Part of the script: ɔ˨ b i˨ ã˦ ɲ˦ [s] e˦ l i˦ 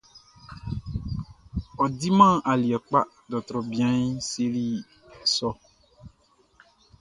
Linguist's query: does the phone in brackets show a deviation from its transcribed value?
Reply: no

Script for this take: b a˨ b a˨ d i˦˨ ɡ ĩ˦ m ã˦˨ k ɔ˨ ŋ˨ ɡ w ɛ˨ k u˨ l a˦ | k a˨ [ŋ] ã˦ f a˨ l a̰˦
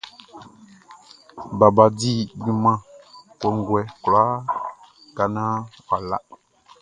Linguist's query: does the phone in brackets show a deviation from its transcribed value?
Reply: yes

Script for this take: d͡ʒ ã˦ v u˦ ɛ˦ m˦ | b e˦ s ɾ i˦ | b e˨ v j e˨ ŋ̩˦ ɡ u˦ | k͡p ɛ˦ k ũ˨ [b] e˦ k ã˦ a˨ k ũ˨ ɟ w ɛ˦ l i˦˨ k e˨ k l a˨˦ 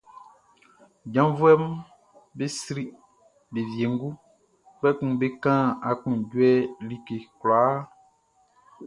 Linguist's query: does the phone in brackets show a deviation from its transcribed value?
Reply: no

